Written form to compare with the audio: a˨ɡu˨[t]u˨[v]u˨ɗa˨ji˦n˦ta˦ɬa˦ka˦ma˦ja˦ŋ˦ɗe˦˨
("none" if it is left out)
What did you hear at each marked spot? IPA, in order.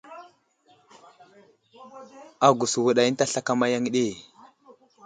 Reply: s, w

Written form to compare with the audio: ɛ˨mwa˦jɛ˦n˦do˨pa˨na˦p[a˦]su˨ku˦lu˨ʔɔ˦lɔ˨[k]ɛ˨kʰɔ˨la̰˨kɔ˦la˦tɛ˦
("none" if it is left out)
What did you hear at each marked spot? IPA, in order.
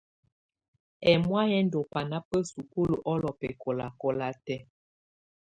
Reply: ə˦, p

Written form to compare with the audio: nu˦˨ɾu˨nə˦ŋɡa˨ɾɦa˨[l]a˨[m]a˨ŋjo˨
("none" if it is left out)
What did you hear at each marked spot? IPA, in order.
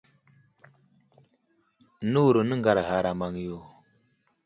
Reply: ɾ, m

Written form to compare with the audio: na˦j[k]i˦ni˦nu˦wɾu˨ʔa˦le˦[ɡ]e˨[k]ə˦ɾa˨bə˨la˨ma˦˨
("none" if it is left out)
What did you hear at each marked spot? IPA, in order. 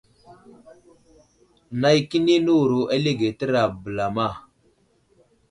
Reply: k, ɡ, t

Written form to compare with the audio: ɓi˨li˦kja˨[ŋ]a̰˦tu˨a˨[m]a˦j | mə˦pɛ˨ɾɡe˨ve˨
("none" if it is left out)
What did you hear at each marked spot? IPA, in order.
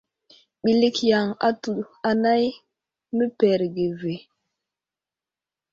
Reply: ŋ, n

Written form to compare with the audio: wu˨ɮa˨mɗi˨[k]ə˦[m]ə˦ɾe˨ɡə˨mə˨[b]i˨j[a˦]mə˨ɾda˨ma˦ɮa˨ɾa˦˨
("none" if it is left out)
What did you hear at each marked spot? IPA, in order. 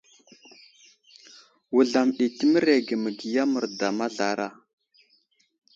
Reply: t, m, ɡ, a˦

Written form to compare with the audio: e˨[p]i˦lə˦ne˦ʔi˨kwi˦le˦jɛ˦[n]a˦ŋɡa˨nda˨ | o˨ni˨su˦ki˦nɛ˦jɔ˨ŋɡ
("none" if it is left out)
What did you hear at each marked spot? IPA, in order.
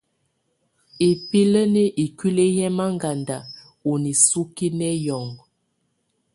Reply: p, m

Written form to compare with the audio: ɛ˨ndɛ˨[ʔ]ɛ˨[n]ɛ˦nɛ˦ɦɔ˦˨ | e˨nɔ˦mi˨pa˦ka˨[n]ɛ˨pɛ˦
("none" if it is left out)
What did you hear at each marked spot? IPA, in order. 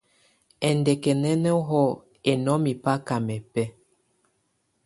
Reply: k, n, m

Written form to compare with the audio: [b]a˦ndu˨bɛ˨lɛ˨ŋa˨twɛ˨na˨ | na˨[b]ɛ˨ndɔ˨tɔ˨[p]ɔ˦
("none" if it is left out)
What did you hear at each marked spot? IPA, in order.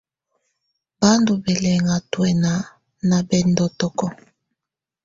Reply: b, b, k

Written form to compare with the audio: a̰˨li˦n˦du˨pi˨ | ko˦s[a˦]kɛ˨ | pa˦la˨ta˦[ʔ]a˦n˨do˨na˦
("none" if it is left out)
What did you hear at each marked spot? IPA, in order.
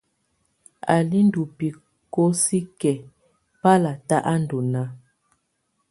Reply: i˦, ʔ

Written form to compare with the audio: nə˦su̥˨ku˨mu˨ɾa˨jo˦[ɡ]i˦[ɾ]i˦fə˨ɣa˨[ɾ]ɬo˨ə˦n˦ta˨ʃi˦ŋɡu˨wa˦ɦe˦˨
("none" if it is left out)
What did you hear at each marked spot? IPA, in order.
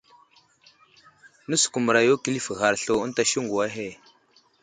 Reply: k, l, ɾ

